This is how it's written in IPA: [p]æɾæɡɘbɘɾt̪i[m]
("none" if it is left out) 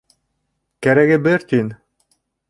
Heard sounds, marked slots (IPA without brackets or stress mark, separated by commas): k, n